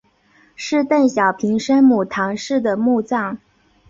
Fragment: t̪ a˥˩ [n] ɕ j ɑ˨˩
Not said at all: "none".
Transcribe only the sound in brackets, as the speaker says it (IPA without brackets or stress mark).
n